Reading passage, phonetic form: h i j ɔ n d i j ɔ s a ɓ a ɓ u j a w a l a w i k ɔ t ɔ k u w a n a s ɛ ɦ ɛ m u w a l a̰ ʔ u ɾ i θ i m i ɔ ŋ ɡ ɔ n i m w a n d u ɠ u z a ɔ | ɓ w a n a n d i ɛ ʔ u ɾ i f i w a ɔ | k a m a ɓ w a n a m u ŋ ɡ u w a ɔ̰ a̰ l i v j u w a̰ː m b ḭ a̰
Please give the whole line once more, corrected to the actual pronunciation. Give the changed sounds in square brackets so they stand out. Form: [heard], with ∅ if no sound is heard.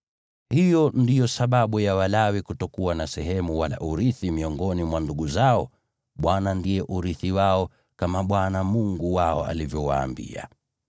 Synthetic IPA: h i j ɔ n d i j ɔ s a ɓ a ɓ u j a w a l a w i k [u] t ɔ k u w a n a s ɛ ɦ ɛ m u w a l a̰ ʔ u ɾ i θ i m i ɔ ŋ ɡ ɔ n i m w a n d u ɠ u z a ɔ | ɓ w a n a n d i ɛ ʔ u ɾ i [θ] i w a ɔ | k a m a ɓ w a n a m u ŋ ɡ u w a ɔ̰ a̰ l i v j [ɔ] w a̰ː m b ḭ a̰